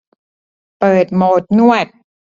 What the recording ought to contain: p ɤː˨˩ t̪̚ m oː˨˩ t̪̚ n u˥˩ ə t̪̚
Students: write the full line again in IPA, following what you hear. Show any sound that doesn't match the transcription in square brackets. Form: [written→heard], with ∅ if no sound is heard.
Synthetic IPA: p ɤː˨˩ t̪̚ m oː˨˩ t̪̚ n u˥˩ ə t̪̚